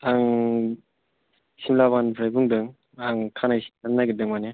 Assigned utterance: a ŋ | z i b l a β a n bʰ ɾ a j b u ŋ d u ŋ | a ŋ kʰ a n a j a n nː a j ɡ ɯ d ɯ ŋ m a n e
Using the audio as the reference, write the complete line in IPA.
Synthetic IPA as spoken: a ŋ | s i m l a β a n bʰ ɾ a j b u ŋ d ɯ ŋ | a ŋ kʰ a n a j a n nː a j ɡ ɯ d ɯ ŋ m a n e